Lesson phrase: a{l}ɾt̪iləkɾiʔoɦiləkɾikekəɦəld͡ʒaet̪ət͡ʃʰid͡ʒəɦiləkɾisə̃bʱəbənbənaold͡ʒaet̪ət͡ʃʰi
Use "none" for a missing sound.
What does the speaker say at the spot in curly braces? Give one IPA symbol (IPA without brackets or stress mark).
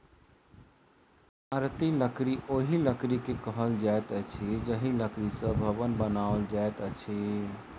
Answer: none